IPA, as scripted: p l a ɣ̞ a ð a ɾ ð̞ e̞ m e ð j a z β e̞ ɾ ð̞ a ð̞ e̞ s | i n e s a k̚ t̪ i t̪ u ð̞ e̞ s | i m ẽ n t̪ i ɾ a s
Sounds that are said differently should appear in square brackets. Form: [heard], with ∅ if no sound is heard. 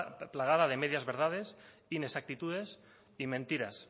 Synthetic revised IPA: p l a ɣ̞ a ð a [∅] ð̞ e̞ m e ð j a z β e̞ ɾ ð̞ a ð̞ e̞ s | i n e s a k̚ t̪ i t̪ u ð̞ e̞ s | i m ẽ n t̪ i ɾ a s